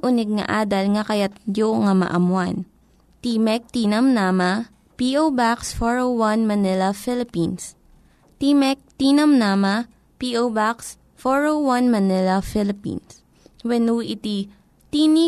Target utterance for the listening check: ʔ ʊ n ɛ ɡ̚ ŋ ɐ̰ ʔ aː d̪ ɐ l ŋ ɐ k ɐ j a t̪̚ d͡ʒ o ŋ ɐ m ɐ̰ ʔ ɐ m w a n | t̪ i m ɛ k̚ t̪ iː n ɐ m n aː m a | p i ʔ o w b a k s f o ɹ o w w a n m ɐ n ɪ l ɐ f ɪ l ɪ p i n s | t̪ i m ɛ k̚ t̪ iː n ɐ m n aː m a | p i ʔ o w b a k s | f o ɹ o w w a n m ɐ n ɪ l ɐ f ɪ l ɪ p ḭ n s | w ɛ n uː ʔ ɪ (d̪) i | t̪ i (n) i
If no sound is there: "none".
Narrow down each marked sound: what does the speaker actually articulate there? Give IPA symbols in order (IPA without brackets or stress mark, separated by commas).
t̪, n